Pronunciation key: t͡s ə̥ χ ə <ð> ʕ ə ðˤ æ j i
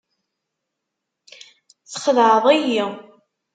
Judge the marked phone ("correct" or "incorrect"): correct